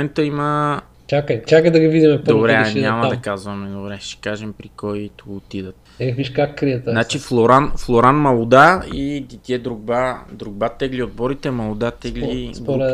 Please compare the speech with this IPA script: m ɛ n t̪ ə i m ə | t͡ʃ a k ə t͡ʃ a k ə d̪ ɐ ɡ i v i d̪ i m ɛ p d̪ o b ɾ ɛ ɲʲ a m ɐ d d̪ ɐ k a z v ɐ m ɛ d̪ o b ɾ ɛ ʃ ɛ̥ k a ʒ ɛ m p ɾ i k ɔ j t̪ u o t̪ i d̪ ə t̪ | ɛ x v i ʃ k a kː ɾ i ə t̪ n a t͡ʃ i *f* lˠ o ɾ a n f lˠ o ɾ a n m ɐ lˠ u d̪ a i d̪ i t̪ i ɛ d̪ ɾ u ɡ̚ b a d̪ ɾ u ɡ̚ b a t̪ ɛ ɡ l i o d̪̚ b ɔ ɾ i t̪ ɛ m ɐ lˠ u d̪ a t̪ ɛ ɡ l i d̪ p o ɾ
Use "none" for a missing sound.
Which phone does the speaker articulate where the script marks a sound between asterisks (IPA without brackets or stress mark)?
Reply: f